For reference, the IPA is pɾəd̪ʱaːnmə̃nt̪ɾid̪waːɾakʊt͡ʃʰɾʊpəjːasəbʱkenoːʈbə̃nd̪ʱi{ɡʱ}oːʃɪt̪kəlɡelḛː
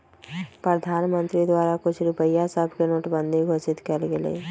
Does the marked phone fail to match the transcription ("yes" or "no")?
no